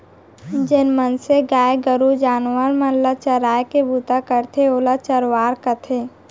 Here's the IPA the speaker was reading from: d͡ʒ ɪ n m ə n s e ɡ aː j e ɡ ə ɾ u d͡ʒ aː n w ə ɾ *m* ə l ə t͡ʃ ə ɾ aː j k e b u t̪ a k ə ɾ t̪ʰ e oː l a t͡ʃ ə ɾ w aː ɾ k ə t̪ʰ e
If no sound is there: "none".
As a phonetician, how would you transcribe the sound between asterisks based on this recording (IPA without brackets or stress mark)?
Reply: m